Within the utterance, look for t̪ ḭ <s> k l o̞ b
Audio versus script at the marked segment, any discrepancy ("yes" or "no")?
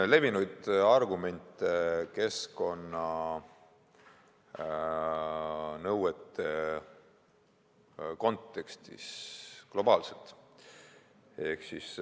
no